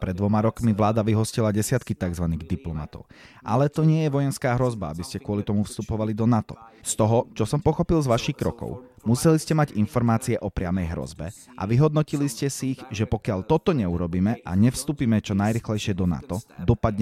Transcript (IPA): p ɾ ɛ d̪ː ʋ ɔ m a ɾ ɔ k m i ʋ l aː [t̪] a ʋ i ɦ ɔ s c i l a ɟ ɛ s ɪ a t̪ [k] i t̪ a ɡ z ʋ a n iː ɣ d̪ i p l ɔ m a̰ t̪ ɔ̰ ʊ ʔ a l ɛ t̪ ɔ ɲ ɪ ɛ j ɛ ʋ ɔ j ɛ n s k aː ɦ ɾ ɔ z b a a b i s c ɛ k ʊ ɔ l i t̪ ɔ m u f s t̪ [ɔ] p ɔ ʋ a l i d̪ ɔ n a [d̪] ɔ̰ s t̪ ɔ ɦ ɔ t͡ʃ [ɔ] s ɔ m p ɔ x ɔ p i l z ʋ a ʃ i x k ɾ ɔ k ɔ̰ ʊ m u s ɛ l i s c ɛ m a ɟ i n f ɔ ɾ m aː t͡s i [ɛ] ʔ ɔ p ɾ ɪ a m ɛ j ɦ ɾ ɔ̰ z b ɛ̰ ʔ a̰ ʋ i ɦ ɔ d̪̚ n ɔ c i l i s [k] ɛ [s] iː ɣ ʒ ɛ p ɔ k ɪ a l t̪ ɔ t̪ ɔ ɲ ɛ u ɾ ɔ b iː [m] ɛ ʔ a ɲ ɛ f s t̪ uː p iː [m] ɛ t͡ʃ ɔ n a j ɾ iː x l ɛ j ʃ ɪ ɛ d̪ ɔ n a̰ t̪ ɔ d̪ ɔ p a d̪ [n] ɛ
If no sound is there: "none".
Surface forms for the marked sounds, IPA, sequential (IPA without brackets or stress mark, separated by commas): d̪, k, u, t̪, ɔ, ɛ, c, s, m, m, ɲ